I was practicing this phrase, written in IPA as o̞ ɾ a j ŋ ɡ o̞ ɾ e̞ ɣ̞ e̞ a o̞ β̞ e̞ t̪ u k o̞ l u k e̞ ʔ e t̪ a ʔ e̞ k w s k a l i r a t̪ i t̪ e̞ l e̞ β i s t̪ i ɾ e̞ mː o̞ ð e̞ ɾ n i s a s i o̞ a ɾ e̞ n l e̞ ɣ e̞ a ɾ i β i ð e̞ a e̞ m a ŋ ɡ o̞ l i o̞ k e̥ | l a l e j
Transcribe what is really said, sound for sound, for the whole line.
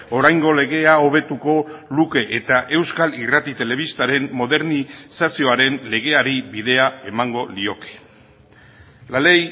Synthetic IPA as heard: o̞ ɾ a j ŋ ɡ o̞ l e̞ ɣ̞ e̞ a o̞ β̞ e̞ t̪ u k o̞ l u k e̞ ʔ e t̪ a ʔ e̞ w s k a l i r a t̪ i t̪ e̞ l e̞ β i s t̪ a ɾ e̞ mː o̞ ð e̞ ɾ n i s a s i o̞ a ɾ e̞ n l e̞ ɣ e̞ a ɾ i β i ð e̞ a e̞ m a ŋ ɡ o̞ l i o̞ k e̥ | l a l e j